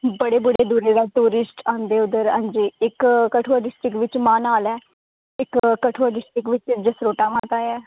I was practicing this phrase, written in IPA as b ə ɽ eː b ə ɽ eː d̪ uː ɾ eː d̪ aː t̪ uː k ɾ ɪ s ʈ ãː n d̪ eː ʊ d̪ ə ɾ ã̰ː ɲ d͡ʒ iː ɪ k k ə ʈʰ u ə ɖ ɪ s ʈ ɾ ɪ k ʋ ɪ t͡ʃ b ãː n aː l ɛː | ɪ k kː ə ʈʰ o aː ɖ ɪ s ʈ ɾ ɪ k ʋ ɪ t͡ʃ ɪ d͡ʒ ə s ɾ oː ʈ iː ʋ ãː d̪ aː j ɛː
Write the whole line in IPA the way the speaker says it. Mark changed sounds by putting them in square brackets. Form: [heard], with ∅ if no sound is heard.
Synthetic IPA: b ə ɽ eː b ə ɽ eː d̪ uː ɾ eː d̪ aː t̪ uː [∅] ɾ ɪ s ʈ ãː n d̪ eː ʊ d̪ ə ɾ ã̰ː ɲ d͡ʒ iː ɪ k k ə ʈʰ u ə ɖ ɪ s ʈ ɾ ɪ k ʋ ɪ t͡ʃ [m] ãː n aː l ɛː | ɪ k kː ə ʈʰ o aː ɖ ɪ s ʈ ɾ ɪ k ʋ ɪ t͡ʃ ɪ d͡ʒ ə s ɾ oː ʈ [aː] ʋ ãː [t̪] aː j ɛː